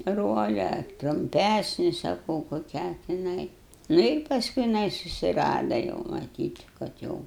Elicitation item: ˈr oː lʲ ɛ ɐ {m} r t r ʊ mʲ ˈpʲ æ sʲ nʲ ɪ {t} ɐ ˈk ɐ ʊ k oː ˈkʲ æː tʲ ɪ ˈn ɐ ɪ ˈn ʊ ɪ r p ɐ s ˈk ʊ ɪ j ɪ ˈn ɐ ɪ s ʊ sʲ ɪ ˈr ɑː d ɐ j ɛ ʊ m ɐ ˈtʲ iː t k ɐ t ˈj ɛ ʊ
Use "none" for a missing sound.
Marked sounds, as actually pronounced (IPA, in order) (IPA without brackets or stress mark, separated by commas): none, s